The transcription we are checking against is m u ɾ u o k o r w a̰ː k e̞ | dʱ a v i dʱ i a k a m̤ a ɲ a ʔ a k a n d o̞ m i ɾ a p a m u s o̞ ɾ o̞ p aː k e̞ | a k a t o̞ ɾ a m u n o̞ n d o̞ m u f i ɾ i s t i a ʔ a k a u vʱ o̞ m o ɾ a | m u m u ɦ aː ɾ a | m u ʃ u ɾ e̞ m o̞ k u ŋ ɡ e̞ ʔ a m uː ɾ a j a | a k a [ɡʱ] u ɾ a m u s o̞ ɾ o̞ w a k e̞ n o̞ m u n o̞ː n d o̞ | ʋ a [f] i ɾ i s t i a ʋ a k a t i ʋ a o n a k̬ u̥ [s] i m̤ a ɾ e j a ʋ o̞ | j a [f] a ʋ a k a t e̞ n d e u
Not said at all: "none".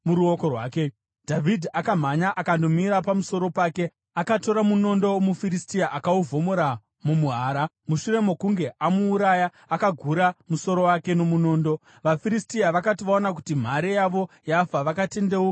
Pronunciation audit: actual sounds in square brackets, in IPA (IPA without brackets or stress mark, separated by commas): ɡʱ, f, t, f